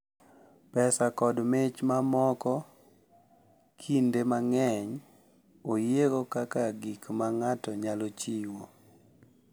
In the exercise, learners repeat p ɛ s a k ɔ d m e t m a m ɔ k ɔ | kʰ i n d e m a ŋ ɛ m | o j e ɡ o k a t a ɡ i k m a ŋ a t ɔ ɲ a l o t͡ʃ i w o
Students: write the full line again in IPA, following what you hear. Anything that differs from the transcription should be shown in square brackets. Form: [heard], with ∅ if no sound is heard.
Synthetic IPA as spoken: p ɛ s a k ɔ d m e [t͡ʃ] m a m ɔ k ɔ | kʰ i n d e m a ŋ ɛ [ɲ] | o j e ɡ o k a [k] a ɡ i k m a ŋ a t ɔ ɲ a l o t͡ʃ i w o